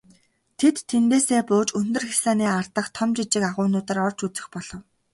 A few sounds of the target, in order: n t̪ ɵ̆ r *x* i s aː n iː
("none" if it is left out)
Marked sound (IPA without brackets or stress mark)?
x